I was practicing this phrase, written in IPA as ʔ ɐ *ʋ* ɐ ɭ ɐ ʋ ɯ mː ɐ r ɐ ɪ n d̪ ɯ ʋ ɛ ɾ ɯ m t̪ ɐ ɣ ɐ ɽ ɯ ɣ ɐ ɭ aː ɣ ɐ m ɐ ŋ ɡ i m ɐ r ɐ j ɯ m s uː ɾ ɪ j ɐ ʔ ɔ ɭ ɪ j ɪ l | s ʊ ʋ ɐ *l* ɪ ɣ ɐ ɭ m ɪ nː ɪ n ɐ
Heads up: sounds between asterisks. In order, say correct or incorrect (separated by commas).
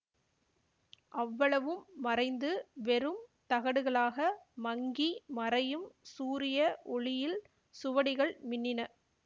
incorrect, incorrect